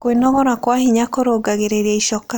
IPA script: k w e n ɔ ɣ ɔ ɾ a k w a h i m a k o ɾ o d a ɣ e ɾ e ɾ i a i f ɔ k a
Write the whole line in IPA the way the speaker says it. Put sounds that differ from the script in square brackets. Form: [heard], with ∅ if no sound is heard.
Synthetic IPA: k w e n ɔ ɣ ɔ ɾ a k w a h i [ɲ] a k o ɾ o [ɡ] a ɣ e ɾ e ɾ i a i [ʃ] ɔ k a